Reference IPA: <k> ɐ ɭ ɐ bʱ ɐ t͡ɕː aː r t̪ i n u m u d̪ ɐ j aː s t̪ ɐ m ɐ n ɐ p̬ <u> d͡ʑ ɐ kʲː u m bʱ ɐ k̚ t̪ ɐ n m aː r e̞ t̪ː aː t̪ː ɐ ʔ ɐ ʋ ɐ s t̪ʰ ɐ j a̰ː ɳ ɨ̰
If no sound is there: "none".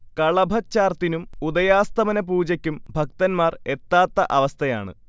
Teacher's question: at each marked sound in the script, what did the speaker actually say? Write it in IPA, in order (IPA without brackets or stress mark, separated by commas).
k, uː